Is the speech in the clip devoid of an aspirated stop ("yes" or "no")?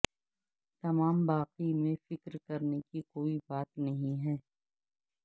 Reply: yes